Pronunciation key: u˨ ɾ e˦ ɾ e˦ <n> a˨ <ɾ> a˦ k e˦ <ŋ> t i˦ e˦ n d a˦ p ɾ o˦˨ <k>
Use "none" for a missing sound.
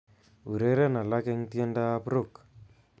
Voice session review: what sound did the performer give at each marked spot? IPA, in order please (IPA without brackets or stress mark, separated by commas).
n, l, ŋ, k